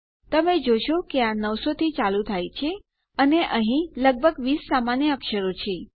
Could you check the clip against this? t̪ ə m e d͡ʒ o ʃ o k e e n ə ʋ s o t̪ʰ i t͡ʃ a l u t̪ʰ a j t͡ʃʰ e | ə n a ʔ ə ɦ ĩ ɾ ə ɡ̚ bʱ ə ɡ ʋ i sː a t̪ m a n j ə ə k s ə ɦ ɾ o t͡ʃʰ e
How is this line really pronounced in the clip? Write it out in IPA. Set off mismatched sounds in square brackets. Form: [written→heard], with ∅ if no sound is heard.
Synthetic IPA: t̪ ə m e d͡ʒ o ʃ o k e [e→a] n ə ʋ s o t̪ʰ i t͡ʃ a l u t̪ʰ a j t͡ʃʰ e | ə n [a→e] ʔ ə ɦ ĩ [ɾ→l] ə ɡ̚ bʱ ə ɡ ʋ i sː a [t̪→∅] m a n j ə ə k [s→ʃ] ə [ɦ→∅] ɾ o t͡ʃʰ e